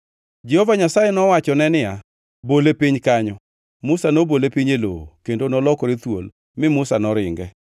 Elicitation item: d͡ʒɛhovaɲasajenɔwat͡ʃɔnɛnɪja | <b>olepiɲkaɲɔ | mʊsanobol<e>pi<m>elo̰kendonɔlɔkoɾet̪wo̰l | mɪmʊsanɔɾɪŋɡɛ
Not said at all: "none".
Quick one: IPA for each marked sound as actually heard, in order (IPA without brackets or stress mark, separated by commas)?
b, e, ɲ